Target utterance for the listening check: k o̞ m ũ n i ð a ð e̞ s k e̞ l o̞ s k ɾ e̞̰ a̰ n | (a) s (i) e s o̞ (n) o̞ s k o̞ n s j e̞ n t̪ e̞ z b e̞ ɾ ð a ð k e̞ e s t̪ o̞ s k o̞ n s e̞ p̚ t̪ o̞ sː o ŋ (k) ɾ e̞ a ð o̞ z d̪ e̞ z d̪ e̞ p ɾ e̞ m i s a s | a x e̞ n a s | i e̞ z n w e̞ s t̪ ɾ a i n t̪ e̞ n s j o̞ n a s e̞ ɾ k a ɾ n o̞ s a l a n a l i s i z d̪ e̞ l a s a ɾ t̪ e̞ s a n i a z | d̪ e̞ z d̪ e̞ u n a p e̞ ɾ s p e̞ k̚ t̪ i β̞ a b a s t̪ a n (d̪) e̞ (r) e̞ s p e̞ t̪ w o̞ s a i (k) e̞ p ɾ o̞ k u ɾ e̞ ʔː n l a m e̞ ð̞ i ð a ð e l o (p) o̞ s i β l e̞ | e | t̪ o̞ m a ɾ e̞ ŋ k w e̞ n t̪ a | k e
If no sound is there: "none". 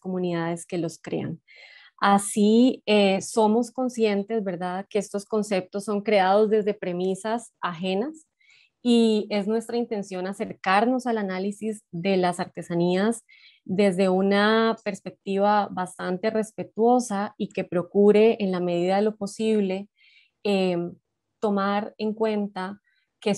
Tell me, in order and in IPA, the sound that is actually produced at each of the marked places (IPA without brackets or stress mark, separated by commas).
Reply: a, i, m, k, t̪, r, k, p